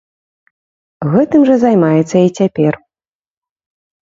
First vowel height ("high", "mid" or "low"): mid